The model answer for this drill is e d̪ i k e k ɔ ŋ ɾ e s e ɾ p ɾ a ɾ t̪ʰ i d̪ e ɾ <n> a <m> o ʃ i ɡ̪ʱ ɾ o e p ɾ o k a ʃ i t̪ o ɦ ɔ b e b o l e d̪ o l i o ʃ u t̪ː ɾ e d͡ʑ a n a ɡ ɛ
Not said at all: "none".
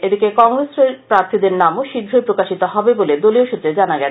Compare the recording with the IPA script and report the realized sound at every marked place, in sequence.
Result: n, m

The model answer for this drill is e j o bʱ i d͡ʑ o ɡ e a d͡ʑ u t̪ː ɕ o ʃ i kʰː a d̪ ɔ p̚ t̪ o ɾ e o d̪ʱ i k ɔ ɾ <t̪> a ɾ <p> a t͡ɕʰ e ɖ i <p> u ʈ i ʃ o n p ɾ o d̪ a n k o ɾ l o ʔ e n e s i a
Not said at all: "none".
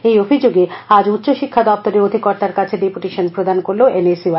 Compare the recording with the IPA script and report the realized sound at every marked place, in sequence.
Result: t̪, k, p

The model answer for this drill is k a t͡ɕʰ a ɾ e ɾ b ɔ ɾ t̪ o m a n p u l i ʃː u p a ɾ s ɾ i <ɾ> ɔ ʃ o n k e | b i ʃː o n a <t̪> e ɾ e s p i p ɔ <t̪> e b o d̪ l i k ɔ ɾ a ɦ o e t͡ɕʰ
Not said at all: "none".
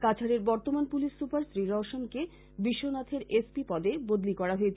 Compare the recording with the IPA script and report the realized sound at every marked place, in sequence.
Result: ɾ, t̪ʰ, d̪

